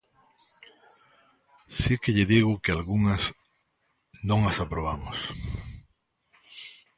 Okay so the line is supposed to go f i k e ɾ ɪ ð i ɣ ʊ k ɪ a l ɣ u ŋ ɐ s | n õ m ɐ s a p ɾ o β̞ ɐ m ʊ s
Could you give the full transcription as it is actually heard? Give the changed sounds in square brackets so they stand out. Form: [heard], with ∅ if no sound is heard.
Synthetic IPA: [s] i k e [ʎ] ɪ ð i ɣ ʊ k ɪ a l ɣ u ŋ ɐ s | n õ [ŋ] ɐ s a p ɾ o β̞ [a] m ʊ s